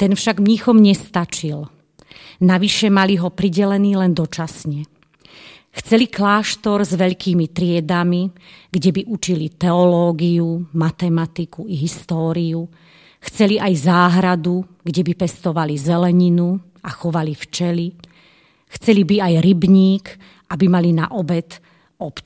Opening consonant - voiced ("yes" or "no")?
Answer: no